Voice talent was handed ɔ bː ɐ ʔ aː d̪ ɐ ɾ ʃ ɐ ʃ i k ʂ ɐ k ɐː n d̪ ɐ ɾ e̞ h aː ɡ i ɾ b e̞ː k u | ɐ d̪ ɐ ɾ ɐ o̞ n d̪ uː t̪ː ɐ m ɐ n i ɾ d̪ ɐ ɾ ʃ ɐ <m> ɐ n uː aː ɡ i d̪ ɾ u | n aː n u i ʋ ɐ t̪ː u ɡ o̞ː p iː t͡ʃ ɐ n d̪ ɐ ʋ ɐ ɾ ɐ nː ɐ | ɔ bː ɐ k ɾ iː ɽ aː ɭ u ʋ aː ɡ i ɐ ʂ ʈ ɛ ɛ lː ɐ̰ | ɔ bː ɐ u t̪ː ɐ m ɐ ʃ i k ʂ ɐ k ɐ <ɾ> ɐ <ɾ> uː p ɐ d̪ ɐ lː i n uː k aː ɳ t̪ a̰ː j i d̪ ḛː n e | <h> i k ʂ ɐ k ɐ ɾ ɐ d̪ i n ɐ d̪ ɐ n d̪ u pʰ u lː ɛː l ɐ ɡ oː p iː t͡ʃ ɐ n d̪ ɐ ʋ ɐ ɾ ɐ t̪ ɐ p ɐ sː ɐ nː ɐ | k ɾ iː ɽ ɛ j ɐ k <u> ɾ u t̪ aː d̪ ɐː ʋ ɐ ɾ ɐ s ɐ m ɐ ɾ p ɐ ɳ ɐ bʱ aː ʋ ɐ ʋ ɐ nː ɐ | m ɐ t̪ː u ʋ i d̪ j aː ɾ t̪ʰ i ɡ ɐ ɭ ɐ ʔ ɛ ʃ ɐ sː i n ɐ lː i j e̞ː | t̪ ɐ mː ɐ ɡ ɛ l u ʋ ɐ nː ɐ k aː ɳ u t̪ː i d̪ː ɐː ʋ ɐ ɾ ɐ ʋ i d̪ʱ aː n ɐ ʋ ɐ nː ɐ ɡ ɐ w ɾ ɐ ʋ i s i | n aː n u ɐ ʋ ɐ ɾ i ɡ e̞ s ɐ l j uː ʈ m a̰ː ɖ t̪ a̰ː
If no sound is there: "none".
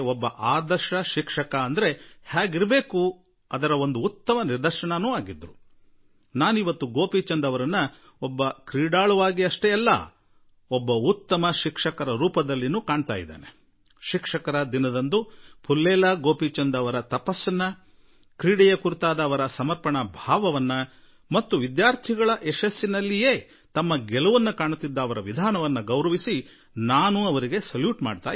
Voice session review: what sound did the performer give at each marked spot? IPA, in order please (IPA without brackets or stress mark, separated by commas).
ɳ, ɾ, ɾ, ʃ, u